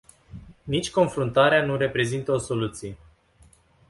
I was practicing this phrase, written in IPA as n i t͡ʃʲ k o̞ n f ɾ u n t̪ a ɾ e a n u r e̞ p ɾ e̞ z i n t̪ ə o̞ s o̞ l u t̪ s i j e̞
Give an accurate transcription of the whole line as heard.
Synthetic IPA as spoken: n i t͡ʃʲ k o̞ n f ɾ u n t̪ a ɾ e a n u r e̞ p ɾ e̞ z i n t̪ ə o̞ s o̞ l u t̪ s i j e̞